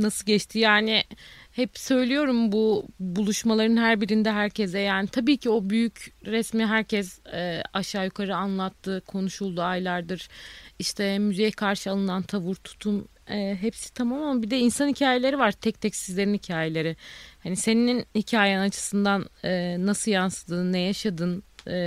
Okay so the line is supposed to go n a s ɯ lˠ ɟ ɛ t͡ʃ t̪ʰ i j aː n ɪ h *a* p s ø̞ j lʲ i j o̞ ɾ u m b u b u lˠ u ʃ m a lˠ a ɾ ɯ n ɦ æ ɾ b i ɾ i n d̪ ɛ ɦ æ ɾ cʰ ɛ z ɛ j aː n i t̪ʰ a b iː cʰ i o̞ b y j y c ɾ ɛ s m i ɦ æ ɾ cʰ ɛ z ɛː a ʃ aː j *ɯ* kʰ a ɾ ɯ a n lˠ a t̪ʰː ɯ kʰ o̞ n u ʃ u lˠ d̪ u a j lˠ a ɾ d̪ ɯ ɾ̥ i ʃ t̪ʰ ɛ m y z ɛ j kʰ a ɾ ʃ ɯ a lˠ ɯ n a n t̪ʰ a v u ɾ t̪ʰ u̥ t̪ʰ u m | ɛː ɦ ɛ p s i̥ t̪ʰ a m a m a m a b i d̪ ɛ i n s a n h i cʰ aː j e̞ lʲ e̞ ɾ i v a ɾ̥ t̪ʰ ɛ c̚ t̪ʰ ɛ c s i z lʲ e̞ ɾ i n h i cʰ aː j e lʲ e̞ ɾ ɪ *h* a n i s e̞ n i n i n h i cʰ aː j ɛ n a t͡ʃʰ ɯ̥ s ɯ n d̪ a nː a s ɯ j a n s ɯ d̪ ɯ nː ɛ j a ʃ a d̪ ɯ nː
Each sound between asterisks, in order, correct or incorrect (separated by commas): incorrect, incorrect, correct